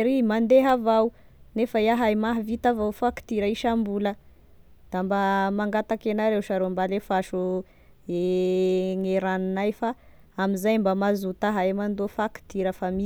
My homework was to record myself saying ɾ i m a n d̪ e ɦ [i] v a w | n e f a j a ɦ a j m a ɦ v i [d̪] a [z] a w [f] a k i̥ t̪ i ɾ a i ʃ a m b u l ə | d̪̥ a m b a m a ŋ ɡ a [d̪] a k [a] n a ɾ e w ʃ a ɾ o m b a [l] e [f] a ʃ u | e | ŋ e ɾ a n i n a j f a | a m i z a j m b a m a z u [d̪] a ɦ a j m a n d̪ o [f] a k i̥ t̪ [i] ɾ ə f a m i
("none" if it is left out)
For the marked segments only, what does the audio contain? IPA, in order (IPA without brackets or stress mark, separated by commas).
a, t̪, v, f, t̪, e, l, f, t̪, f, i